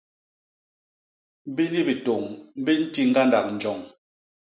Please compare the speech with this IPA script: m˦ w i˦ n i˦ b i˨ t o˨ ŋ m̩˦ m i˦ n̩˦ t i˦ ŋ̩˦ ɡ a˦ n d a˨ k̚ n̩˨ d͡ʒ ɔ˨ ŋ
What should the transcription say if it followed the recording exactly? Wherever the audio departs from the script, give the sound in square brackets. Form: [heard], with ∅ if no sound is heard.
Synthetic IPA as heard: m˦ [b] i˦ n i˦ b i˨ t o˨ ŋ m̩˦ [b] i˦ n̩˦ t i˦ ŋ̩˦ ɡ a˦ n d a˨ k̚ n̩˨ d͡ʒ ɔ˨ ŋ